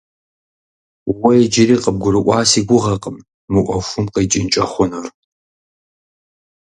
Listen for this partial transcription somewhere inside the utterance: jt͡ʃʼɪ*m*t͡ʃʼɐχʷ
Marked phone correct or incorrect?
incorrect